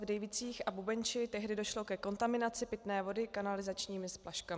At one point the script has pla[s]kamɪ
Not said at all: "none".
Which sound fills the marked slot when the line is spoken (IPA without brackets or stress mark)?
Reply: ʃ